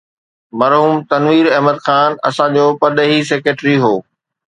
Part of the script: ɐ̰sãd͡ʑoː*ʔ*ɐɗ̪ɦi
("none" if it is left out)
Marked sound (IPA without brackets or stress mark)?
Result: p